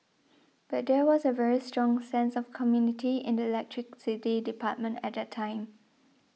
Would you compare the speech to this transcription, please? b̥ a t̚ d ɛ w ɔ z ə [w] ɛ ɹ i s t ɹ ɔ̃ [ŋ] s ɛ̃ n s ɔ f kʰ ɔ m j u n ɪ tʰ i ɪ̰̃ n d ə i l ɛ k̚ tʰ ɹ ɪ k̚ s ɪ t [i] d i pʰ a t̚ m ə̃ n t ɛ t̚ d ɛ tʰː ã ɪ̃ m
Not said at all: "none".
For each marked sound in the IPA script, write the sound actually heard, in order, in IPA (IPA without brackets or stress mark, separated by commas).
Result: v, ŋ, i